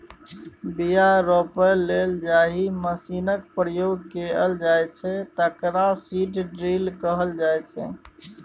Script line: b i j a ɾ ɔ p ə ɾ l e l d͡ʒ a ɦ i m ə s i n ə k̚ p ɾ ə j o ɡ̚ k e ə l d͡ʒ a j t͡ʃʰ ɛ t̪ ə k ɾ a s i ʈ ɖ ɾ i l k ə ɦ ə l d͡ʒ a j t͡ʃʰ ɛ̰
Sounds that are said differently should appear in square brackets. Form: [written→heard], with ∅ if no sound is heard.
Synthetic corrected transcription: b i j a ɾ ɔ p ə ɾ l e l d͡ʒ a ɦ i m ə s i n ə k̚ p ɾ ə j o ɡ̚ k e ə l d͡ʒ a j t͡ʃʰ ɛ t̪ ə k ɾ a s i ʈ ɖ ɾ i l k ə ɦ ə l d͡ʒ a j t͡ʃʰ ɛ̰